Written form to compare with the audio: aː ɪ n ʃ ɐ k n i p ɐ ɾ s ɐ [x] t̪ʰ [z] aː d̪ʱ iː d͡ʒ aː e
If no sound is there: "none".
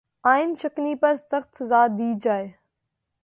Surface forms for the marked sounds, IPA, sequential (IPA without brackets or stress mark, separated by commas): x, z